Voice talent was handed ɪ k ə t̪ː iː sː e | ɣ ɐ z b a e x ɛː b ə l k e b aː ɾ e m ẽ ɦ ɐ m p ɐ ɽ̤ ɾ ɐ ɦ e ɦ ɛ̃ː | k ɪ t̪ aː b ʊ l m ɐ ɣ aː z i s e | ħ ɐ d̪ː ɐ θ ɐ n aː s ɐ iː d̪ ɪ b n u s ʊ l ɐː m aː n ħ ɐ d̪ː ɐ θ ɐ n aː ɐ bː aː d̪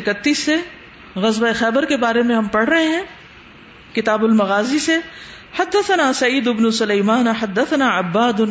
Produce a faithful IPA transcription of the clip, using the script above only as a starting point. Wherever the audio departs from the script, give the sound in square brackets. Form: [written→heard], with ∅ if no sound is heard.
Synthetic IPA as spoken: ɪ k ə t̪ː iː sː e | ɣ ɐ z b a e x ɛː b ə [l→ɾ] k e b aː ɾ e m ẽ ɦ ɐ m p ɐ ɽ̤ ɾ ɐ ɦ e ɦ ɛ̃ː | k ɪ t̪ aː b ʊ l m ɐ ɣ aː z i s e | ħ ɐ d̪ː ɐ θ ɐ n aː s ɐ iː d̪ ɪ b n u s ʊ l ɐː m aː n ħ ɐ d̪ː ɐ θ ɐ n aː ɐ bː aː d̪